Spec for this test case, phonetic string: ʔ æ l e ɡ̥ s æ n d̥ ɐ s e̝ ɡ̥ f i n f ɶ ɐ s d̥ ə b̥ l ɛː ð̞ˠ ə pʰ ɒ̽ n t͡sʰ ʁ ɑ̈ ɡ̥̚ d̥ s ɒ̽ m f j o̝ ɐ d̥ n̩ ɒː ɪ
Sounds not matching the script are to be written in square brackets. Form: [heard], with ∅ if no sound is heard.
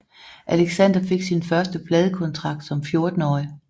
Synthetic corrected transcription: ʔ æ l e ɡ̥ s æ n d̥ ɐ [f] e̝ ɡ̥ [s] i n f ɶ ɐ s d̥ ə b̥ l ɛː ð̞ˠ ə [kʰ] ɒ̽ n t͡sʰ ʁ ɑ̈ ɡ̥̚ d̥ s ɒ̽ m f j o̝ ɐ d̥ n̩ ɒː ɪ